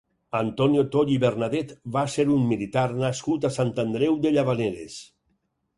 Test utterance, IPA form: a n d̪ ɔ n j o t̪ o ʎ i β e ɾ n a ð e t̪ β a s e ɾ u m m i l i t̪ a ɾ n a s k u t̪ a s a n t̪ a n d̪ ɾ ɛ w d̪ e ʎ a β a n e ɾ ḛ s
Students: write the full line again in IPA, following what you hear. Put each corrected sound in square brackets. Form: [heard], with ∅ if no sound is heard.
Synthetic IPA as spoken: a n [t̪] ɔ n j o t̪ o ʎ i β e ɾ n a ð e t̪ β a s e ɾ u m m i l i t̪ a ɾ n a s k u t̪ a s a n t̪ a n d̪ ɾ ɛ w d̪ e ʎ a β a n e ɾ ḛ s